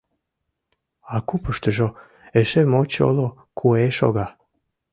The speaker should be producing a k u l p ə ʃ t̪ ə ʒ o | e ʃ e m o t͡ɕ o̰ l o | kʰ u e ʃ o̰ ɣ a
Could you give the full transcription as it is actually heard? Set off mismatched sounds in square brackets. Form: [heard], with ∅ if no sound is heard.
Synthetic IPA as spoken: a k u [∅] p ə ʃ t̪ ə ʒ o | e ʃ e m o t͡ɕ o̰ l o | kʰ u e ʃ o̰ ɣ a